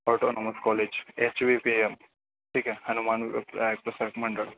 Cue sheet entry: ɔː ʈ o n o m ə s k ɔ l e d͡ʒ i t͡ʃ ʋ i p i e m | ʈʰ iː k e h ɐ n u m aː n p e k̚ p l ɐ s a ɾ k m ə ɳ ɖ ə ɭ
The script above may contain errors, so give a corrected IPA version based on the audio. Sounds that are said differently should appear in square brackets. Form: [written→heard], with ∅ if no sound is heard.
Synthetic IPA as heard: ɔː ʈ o n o m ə s k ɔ l e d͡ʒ [i→e] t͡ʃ ʋ i p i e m | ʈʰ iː k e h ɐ n u m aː n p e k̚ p [l→ɾ] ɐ s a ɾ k m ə ɳ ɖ ə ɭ